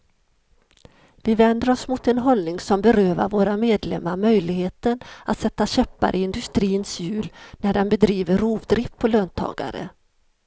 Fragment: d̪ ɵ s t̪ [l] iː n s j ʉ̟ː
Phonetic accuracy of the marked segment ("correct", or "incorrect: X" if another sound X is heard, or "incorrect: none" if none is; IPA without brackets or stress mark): incorrect: ɾ